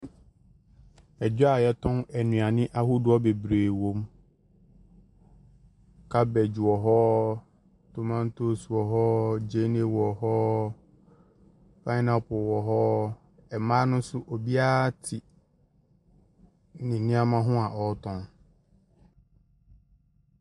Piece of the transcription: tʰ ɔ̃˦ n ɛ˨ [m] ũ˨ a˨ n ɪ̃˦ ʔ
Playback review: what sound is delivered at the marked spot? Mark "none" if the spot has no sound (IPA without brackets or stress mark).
n